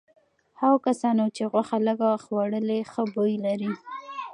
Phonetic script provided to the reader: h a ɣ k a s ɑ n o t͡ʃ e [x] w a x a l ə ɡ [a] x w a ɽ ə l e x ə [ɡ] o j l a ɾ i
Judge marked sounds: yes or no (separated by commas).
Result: no, yes, no